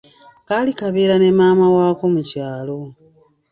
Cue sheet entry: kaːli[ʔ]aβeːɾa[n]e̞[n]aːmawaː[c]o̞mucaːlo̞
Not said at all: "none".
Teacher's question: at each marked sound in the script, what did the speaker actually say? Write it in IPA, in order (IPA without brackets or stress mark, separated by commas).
k, n, m, k